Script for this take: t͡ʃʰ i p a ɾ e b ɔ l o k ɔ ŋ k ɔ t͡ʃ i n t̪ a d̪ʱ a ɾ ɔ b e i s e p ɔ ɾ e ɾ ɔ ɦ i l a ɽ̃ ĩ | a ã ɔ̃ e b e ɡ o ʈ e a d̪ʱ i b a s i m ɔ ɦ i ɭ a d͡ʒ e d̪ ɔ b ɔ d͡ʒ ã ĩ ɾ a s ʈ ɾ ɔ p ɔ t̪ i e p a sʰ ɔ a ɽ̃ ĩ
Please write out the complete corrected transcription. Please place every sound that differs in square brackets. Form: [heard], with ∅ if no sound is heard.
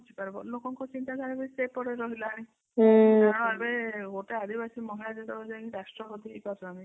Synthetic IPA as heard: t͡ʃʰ i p a ɾ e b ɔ l o k ɔ ŋ k ɔ t͡ʃ i n t̪ a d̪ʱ a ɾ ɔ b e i s e p ɔ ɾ e ɾ ɔ ɦ i l a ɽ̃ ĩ | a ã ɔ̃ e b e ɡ o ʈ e a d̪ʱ i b a s i m ɔ ɦ i [l] a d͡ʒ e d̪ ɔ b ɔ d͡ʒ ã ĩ ɾ a s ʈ ɾ ɔ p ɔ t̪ i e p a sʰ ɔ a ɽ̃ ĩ